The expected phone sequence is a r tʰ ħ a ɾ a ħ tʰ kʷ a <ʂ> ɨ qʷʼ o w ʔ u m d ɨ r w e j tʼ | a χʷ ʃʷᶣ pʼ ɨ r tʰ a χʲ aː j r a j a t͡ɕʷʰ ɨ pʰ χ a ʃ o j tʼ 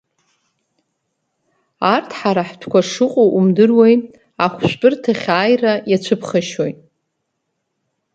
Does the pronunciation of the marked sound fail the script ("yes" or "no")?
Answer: no